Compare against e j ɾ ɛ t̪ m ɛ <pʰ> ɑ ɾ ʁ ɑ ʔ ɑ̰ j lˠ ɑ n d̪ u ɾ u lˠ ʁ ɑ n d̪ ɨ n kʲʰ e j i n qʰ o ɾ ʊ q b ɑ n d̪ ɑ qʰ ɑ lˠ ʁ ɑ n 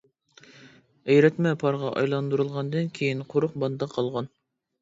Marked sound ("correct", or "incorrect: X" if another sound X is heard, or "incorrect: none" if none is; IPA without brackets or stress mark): correct